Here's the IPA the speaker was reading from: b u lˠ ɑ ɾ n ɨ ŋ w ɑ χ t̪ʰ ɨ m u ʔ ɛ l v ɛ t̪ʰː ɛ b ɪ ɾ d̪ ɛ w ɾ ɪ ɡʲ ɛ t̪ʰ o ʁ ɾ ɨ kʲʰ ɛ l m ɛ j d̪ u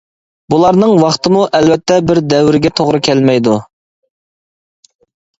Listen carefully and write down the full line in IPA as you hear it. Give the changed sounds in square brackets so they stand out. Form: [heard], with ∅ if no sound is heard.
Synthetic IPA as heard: b u lˠ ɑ ɾ n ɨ ŋ w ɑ χ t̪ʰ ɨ m u ʔ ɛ l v ɛ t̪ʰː ɛ b ɪ ɾ d̪ ɛ w ɾ ɪ ɡʲ ɛ t̪ʰ o ʁ ɾ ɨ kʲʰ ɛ l m ɛ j d̪ u